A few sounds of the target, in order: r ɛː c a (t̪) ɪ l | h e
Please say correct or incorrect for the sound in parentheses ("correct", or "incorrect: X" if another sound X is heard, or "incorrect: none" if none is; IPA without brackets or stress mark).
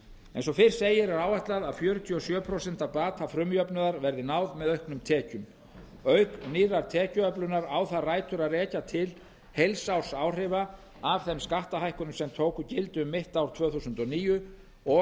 incorrect: t̪ʰ